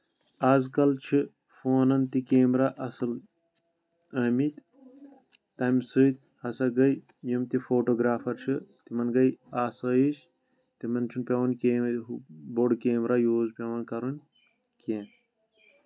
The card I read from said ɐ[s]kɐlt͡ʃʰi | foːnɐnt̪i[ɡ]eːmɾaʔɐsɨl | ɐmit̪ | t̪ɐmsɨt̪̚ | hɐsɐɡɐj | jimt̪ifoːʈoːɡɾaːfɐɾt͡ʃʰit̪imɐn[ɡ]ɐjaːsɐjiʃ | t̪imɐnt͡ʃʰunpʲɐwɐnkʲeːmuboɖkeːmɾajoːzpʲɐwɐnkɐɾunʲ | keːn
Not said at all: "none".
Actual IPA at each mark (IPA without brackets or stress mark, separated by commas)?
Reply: z, k, ɡ